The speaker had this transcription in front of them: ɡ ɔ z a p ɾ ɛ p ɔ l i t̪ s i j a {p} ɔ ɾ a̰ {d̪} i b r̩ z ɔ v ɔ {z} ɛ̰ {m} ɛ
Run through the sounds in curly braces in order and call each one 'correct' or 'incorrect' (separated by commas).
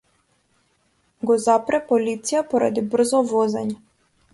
correct, correct, correct, incorrect